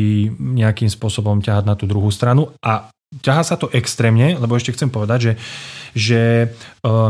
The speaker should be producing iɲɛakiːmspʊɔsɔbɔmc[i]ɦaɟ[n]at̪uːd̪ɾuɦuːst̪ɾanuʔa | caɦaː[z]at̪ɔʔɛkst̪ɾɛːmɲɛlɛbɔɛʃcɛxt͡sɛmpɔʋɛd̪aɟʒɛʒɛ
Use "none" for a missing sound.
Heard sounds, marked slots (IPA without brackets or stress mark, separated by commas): a, n, s